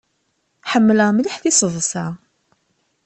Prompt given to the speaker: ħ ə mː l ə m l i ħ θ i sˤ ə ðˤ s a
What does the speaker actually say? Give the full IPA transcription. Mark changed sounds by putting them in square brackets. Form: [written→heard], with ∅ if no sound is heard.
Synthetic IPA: ħ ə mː l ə m l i ħ θ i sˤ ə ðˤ s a